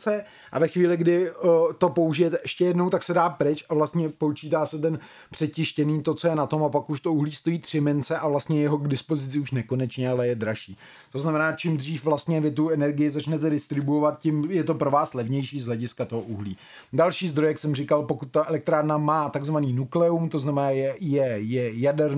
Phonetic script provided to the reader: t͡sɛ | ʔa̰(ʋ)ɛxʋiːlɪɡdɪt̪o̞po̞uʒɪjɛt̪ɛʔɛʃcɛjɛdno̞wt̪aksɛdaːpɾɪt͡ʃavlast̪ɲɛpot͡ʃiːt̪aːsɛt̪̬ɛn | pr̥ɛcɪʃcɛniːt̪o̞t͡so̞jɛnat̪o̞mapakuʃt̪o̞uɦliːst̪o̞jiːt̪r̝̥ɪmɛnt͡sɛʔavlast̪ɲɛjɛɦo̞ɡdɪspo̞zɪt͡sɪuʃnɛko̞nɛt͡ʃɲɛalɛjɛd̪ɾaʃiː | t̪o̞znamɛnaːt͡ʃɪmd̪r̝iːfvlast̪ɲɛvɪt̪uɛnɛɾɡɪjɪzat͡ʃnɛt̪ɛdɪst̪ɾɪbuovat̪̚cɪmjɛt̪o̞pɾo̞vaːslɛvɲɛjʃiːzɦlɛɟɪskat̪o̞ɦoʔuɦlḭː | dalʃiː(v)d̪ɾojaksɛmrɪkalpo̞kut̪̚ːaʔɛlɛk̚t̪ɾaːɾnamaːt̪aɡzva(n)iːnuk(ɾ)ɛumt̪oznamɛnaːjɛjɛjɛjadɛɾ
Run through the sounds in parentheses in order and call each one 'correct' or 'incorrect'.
incorrect, incorrect, correct, incorrect

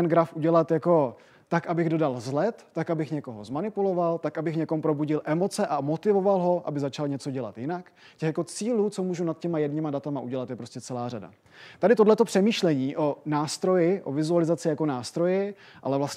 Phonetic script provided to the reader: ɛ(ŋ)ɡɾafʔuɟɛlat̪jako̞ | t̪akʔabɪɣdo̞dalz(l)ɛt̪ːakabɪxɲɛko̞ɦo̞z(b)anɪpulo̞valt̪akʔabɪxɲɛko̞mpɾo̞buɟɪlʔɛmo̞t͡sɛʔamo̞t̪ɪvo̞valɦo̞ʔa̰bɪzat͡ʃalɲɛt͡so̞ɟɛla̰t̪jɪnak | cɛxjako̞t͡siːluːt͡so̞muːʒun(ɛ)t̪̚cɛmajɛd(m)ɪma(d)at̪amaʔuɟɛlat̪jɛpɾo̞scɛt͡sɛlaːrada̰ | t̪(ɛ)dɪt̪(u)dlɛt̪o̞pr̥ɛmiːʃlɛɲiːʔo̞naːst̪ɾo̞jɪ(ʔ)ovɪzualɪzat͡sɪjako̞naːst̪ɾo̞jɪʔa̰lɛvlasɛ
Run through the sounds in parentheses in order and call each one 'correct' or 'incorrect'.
incorrect, correct, incorrect, incorrect, incorrect, correct, incorrect, incorrect, correct

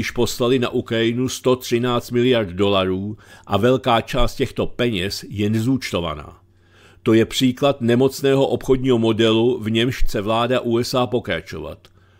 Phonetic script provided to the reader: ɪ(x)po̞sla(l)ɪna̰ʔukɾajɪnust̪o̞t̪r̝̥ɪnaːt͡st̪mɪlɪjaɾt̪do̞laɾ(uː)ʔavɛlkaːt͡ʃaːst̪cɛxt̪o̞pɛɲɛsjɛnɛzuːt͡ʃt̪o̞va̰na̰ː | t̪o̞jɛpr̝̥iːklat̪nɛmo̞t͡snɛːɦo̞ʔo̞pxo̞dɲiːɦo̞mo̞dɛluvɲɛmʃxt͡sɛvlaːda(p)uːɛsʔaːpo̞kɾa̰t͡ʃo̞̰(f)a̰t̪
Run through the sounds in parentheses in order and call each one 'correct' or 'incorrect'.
incorrect, correct, correct, incorrect, incorrect

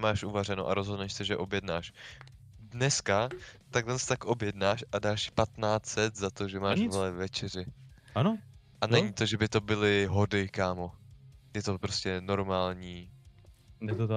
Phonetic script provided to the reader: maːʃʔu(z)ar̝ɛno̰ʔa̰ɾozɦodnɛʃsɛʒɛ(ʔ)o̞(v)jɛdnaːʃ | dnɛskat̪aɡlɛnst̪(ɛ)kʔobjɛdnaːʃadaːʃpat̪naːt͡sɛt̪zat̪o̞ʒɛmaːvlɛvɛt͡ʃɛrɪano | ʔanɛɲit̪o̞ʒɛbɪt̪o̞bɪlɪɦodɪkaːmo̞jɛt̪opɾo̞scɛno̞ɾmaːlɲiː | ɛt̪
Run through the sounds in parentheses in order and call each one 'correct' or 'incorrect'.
incorrect, correct, incorrect, incorrect

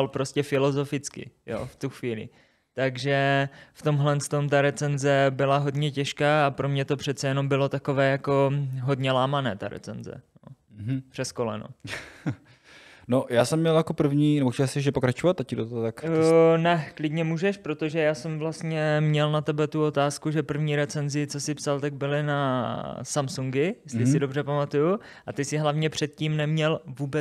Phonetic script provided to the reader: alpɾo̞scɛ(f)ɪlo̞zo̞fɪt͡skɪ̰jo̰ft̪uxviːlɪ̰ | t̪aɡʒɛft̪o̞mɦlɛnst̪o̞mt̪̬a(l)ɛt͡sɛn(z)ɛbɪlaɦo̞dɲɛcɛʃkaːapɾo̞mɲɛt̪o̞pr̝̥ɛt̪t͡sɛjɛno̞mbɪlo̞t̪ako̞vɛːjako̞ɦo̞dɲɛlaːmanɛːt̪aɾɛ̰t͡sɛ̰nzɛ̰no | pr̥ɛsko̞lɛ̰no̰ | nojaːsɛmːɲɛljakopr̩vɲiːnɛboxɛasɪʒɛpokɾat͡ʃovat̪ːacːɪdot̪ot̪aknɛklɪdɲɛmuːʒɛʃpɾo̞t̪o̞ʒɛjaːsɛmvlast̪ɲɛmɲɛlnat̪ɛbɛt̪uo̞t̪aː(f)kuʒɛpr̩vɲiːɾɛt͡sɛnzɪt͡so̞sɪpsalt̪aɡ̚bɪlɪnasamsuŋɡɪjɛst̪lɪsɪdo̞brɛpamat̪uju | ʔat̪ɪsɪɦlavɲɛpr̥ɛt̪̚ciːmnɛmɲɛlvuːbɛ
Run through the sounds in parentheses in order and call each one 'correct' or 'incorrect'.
correct, incorrect, correct, incorrect

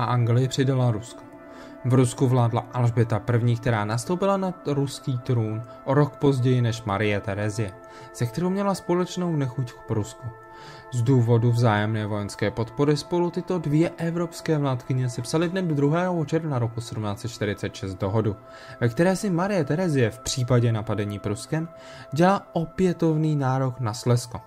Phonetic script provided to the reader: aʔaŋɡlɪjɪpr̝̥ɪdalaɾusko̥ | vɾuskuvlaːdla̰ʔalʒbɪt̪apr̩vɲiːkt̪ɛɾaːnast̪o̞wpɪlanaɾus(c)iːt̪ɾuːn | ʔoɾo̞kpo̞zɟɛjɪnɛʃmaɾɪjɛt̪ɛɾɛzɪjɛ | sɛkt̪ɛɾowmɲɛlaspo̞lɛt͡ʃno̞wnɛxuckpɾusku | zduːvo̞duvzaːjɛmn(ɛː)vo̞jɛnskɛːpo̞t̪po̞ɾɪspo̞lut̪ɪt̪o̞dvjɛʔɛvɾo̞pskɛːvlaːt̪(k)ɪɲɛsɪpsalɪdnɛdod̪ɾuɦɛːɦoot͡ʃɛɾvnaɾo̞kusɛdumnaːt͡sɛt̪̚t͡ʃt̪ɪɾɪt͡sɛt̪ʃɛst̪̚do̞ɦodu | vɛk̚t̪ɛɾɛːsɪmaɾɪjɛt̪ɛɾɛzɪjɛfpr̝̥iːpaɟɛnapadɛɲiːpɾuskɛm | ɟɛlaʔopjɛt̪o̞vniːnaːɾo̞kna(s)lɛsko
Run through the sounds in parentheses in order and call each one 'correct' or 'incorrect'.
incorrect, correct, correct, correct

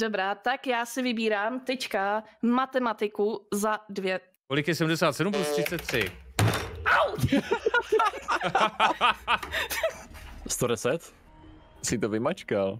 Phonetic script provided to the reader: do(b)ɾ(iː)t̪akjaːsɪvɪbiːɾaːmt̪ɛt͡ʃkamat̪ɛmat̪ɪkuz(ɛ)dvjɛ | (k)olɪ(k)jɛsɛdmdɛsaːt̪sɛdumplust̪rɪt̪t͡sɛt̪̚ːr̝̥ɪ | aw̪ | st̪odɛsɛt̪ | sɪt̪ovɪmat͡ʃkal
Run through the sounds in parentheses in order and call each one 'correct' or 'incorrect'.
correct, incorrect, incorrect, correct, correct

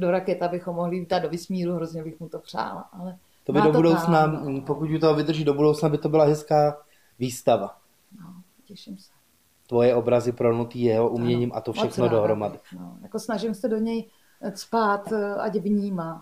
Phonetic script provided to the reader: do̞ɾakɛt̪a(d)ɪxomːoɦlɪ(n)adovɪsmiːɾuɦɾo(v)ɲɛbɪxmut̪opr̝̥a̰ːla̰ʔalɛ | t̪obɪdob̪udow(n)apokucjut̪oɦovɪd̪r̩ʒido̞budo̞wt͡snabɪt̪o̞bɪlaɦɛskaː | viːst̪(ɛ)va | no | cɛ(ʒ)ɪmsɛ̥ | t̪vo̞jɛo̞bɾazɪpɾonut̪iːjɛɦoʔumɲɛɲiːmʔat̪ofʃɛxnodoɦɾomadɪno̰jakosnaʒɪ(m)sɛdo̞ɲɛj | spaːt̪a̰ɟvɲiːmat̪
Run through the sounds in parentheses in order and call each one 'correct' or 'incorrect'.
incorrect, incorrect, incorrect, correct, incorrect, incorrect, correct

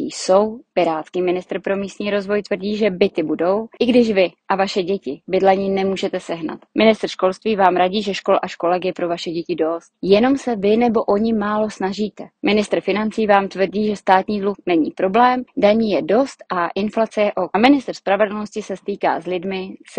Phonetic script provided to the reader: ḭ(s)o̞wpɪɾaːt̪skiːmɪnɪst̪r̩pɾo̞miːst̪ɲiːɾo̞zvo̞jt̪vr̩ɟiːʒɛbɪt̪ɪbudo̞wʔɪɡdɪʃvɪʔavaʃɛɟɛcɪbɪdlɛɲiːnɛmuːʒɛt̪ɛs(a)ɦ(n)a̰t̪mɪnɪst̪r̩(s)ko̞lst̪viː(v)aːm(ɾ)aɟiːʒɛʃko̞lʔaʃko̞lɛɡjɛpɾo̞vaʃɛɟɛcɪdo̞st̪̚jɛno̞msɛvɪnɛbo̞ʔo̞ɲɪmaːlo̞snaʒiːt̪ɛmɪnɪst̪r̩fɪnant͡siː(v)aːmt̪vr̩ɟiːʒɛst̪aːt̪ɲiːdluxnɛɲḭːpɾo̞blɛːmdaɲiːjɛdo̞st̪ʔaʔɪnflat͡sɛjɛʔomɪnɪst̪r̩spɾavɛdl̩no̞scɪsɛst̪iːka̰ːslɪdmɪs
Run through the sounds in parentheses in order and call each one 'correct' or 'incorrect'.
correct, incorrect, correct, incorrect, correct, correct, correct

